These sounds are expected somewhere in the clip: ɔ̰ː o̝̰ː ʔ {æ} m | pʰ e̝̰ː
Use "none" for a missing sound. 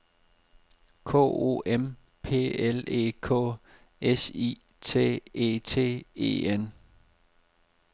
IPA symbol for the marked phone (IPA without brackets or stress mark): e